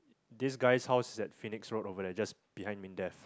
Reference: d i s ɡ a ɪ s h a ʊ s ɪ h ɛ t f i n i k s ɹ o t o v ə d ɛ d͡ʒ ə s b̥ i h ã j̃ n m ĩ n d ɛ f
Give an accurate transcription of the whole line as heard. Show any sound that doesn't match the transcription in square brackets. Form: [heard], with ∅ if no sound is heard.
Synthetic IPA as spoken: d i s ɡ a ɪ s h a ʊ s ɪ [s] ɛ t f i n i k s ɹ o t o v ə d ɛ d͡ʒ [a] s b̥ i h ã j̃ n m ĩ n d ɛ f